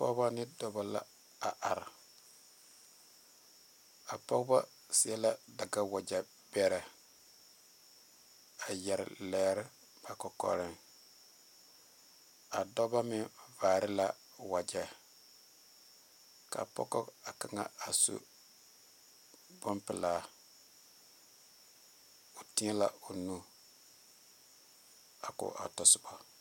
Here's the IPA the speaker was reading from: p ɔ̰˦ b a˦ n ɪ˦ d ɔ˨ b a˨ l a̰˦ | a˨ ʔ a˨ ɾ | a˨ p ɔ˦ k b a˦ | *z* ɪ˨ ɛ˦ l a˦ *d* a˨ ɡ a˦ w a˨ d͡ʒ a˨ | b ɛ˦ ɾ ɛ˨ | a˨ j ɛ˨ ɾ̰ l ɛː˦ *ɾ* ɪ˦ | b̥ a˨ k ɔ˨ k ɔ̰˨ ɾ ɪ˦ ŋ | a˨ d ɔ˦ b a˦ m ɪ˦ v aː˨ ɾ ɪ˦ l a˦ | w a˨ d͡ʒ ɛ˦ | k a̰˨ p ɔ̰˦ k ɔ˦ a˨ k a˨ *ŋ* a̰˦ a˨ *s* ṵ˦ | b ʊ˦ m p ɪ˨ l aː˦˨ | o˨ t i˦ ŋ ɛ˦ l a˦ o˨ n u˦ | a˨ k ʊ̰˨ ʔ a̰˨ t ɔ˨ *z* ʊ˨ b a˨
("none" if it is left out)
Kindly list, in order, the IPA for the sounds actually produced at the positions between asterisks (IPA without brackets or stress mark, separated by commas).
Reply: s, d, ɾ, ŋ, s, s